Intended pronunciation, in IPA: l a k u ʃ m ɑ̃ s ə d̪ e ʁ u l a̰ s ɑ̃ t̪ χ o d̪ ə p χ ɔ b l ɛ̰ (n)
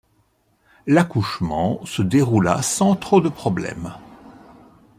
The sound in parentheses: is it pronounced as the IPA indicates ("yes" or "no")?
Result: no